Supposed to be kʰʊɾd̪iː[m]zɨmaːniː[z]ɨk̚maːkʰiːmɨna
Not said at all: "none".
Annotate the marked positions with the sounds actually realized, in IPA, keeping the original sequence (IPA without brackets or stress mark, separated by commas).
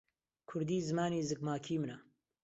none, z